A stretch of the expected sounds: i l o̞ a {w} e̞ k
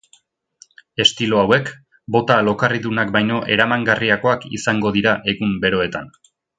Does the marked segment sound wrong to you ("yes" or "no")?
no